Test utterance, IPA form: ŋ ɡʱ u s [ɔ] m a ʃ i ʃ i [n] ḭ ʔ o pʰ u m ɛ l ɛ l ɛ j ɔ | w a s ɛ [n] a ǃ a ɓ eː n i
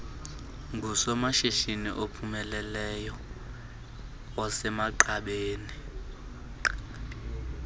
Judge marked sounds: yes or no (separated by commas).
yes, yes, no